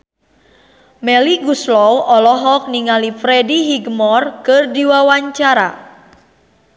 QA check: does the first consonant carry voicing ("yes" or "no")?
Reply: yes